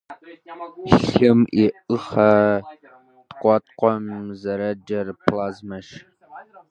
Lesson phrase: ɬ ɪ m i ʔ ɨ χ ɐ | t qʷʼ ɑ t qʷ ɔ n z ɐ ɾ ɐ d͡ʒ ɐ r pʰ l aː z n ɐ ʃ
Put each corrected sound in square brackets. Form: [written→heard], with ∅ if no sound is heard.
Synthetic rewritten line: ɬ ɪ m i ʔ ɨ χ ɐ | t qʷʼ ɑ t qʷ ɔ [n→m] z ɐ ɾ ɐ d͡ʒ ɐ r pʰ l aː z [n→m] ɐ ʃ